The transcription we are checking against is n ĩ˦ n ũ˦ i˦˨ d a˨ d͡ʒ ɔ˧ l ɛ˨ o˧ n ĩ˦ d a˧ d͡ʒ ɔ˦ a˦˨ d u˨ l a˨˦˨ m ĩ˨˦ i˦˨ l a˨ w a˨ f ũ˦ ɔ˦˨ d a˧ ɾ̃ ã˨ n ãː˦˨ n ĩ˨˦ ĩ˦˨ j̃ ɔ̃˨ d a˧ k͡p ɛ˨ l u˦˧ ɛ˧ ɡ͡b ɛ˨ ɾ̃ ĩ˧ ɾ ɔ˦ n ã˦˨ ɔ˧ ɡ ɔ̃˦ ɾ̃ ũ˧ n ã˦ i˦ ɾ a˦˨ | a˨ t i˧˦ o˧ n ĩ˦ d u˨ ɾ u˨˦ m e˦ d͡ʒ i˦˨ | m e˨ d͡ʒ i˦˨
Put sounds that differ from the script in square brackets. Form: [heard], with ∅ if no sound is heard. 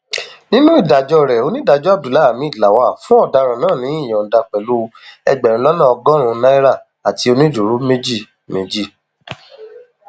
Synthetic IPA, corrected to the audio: n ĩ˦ n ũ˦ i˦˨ d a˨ d͡ʒ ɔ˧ [ɾ] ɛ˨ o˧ n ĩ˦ d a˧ d͡ʒ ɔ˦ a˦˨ d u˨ l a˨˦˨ m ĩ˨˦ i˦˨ l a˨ w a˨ f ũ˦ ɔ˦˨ d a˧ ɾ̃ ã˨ n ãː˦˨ n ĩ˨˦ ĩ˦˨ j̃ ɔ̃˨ d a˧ k͡p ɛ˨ l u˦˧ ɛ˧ ɡ͡b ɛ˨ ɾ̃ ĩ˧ [l] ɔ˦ n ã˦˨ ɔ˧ ɡ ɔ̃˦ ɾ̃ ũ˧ n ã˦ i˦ ɾ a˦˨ | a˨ t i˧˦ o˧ n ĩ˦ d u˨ ɾ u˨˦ m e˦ d͡ʒ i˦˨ | m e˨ d͡ʒ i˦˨